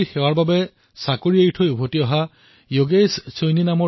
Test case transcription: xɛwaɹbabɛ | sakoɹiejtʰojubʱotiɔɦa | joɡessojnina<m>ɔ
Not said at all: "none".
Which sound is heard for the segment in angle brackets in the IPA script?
m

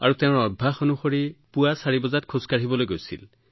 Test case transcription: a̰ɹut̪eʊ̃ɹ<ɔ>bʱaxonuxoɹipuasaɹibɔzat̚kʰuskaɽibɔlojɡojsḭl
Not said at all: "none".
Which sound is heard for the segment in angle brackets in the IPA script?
ɔ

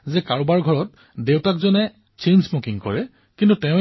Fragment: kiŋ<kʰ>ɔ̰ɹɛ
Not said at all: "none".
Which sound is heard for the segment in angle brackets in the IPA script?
k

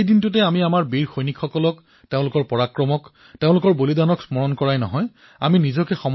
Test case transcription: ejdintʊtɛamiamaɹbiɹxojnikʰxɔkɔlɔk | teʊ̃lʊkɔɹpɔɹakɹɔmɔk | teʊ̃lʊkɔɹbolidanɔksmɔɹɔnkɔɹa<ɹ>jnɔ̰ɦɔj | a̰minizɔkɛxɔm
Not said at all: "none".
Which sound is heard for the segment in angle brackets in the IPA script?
none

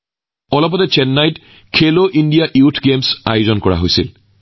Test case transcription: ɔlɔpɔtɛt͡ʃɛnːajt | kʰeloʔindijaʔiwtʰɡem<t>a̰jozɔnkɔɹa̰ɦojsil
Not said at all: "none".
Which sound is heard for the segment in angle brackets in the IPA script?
s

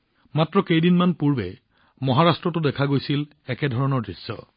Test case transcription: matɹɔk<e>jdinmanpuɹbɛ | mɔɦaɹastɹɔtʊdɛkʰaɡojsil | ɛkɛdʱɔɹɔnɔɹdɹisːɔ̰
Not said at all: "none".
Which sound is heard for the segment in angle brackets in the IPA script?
e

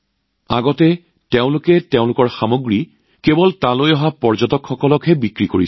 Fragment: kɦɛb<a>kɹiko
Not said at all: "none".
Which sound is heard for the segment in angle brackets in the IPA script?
i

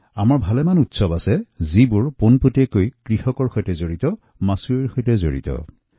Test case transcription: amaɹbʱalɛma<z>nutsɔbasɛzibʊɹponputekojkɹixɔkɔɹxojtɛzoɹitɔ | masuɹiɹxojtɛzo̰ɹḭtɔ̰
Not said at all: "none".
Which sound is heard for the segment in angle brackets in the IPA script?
none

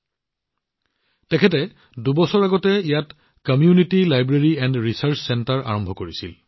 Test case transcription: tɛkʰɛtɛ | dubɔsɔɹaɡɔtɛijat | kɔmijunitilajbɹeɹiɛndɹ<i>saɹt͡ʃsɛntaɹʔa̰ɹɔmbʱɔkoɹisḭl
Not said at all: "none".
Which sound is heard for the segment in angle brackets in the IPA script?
i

